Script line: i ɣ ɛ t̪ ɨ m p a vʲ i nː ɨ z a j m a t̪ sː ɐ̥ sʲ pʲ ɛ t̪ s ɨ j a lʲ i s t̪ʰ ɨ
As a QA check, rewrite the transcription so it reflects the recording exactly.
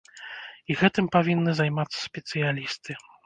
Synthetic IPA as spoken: i ɣ ɛ t̪ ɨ m p a vʲ i nː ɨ z a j m a t̪ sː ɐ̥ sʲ pʲ ɛ t̪ s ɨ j a lʲ i s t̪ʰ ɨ